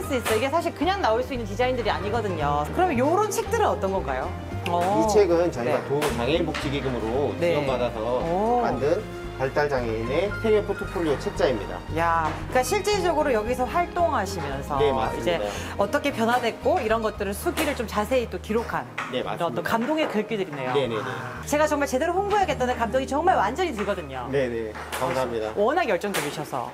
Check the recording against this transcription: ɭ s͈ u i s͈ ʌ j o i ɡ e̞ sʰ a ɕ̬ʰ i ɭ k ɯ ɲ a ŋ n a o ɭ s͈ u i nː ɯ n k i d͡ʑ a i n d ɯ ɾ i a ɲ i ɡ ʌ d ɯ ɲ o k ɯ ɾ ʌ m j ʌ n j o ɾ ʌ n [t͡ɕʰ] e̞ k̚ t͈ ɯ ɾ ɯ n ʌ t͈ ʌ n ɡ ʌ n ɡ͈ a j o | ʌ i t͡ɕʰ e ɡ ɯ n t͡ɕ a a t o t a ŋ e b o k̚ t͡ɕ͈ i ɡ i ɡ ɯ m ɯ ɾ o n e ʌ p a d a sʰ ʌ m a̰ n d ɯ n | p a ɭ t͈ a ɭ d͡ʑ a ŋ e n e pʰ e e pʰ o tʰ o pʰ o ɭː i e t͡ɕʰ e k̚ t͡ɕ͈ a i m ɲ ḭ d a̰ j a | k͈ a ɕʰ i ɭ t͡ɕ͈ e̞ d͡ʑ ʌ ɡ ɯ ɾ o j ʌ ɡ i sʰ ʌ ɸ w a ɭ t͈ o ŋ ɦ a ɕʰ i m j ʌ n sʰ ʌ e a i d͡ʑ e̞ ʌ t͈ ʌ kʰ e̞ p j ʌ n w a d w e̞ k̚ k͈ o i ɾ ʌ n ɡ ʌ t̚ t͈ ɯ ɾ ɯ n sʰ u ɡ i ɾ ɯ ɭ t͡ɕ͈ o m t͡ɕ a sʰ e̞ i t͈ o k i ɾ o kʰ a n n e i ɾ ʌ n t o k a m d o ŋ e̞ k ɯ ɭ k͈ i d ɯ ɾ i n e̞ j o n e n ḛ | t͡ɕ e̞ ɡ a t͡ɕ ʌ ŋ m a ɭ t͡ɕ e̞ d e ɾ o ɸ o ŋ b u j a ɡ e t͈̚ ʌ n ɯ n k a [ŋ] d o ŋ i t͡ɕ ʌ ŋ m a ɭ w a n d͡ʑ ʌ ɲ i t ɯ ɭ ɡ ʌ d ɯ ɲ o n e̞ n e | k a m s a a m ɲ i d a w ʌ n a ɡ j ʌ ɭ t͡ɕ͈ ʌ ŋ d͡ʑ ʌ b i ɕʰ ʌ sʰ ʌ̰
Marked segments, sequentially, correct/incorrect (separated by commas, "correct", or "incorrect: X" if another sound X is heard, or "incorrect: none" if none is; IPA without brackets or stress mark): correct, incorrect: m